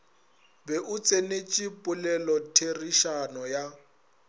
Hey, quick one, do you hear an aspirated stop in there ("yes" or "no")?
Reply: yes